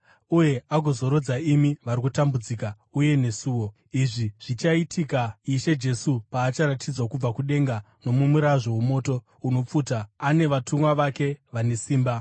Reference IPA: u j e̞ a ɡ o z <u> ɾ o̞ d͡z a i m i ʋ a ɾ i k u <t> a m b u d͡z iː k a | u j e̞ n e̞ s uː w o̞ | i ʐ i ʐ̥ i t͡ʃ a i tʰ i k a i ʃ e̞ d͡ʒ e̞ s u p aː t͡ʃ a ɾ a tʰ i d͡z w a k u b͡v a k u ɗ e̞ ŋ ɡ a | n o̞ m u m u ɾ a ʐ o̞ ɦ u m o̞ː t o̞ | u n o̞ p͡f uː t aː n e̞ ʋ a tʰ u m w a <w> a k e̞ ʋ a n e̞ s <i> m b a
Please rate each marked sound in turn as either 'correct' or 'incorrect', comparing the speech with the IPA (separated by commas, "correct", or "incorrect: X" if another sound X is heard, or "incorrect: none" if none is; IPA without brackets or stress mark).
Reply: incorrect: o, correct, incorrect: ʋ, incorrect: iː